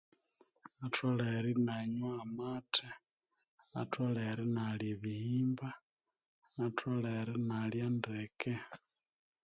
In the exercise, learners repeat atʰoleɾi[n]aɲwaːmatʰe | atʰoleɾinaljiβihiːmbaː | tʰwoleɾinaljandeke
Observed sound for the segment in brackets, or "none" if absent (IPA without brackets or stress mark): n